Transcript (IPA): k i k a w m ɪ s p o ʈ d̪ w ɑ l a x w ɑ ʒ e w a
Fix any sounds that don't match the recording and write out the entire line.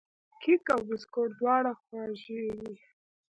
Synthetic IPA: k i k a w b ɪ s k o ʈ d̪ w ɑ ɽ a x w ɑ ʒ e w i